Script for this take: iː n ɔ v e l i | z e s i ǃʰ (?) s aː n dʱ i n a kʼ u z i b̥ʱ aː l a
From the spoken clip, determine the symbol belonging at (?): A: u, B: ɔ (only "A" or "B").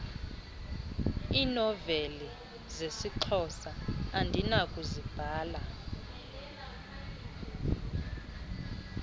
B